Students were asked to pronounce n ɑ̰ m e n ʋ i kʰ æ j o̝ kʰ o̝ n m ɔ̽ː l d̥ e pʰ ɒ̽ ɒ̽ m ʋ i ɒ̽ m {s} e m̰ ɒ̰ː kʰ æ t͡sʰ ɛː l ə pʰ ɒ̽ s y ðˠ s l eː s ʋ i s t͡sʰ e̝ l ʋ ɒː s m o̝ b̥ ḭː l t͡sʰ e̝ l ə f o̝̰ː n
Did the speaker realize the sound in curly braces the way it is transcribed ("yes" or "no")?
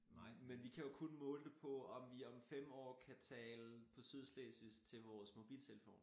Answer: no